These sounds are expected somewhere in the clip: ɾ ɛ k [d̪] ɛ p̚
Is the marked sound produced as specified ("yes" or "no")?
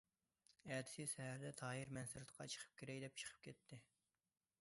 yes